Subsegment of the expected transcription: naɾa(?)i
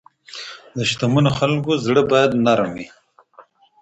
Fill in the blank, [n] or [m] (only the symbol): m